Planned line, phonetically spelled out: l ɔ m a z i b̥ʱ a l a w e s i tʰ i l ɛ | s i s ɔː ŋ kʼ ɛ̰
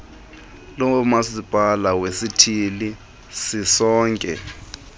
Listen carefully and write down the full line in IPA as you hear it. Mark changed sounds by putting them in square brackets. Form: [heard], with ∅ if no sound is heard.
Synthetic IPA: l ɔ m a [s] i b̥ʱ a l a w e s i tʰ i l [i] | s i s ɔː ŋ kʼ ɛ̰